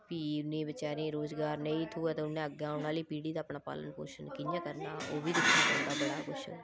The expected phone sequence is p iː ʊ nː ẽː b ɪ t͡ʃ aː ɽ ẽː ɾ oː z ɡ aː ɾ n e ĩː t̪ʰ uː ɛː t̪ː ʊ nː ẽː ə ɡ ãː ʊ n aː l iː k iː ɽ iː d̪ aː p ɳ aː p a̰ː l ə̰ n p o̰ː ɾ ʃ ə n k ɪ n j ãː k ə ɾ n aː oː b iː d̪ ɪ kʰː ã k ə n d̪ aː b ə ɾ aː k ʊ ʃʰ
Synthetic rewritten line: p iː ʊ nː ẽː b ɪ t͡ʃ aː ɾ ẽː ɾ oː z ɡ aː ɾ n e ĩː t̪ʰ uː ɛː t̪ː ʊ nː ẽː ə ɡ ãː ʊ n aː l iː p iː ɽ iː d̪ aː p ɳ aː p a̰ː l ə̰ n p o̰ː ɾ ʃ ə n k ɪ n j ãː k ə ɾ n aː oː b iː d̪ ɪ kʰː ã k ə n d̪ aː b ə ɽ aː k ʊ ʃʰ